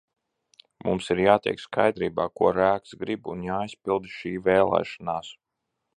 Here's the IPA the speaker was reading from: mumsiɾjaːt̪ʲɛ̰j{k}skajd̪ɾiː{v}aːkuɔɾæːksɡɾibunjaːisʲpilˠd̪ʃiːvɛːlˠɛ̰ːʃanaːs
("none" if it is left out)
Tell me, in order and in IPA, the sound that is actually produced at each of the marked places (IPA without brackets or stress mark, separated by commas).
k, b